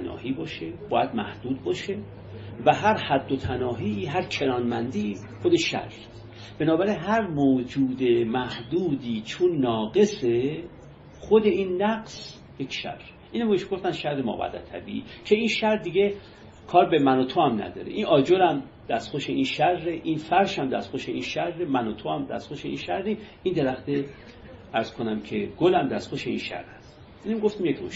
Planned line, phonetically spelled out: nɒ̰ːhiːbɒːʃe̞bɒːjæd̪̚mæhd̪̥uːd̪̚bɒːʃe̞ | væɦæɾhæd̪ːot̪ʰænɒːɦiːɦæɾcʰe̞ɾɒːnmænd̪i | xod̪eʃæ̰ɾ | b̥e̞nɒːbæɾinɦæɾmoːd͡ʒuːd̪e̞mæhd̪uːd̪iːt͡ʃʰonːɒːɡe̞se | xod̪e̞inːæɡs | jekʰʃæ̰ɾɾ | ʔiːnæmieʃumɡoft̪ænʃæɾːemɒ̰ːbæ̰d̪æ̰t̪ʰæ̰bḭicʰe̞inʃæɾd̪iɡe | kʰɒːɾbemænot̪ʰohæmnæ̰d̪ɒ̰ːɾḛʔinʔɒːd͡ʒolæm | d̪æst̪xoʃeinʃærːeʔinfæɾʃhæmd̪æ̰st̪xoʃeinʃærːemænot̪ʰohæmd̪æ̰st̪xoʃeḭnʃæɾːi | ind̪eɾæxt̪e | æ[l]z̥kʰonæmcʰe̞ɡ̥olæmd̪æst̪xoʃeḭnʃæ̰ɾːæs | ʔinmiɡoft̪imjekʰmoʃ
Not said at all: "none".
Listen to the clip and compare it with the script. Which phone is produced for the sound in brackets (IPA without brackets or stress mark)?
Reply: ɾ